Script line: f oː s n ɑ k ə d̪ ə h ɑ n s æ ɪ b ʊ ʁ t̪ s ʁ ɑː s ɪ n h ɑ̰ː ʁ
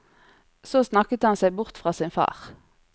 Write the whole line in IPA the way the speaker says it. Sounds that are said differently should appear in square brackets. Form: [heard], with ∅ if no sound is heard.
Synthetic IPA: [s] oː s n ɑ k ə [t̪] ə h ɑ n s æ ɪ b ʊ ʁ t̪ [f] ʁ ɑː s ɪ n [f] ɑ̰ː ʁ